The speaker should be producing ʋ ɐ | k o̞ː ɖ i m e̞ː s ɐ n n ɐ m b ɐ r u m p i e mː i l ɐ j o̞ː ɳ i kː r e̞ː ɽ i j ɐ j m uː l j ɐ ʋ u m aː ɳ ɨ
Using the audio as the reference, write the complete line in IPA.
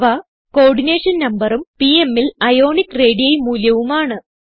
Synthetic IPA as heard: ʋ ɐ | k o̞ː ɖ i n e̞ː ʂ ɐ n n ɐ m b ɐ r u m p i e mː i l ɐ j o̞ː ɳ i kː r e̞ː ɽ i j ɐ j m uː l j ɐ ʋ u m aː ɳ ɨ